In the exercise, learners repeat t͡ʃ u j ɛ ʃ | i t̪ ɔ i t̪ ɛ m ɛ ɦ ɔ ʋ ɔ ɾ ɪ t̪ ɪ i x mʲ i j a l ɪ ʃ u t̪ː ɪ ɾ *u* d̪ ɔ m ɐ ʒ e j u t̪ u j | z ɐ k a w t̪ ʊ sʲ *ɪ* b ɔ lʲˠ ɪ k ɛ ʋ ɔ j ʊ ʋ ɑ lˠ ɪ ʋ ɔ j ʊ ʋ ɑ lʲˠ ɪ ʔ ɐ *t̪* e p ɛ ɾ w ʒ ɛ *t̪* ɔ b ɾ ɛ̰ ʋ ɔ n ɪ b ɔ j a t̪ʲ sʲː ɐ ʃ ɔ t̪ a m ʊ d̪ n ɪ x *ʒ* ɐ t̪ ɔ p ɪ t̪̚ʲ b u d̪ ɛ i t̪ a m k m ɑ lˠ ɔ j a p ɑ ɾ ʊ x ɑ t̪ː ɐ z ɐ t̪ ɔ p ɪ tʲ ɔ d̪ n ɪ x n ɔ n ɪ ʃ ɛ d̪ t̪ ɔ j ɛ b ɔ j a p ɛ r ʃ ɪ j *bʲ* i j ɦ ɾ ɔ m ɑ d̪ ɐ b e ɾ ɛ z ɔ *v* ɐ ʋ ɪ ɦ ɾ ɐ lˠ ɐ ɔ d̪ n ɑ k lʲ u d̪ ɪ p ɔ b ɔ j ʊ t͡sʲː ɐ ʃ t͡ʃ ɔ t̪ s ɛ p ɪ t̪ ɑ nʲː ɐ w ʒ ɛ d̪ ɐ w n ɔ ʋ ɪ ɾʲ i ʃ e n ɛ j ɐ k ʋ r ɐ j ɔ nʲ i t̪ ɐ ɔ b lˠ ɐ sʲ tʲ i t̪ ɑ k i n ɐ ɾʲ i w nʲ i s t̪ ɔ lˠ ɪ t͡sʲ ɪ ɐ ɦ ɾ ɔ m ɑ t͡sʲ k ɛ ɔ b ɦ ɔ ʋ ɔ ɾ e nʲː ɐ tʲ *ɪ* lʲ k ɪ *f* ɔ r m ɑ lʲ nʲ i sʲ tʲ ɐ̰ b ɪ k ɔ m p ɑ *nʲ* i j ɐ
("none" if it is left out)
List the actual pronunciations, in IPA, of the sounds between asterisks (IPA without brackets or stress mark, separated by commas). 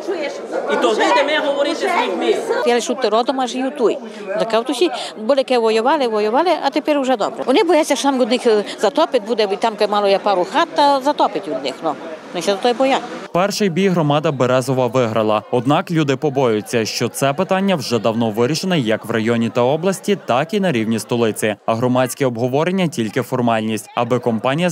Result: ɔ, i, t̪, d̪, z, bʲ, ʋ, i, f, nʲ